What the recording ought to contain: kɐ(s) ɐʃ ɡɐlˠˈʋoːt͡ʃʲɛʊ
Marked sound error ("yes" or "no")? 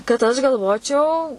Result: yes